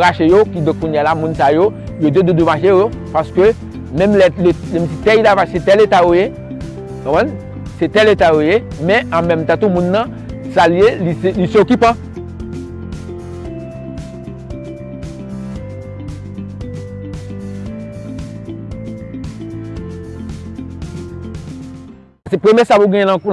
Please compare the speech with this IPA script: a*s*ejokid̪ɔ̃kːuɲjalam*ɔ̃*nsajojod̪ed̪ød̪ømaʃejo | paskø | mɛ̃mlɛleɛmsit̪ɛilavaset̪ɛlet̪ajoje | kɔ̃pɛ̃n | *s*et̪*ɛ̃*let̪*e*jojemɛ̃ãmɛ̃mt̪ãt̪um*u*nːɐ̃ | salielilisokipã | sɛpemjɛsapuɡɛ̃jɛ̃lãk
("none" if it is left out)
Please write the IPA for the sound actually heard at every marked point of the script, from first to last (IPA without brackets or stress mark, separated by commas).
ʃ, ũ, s, ɛ, a, ũ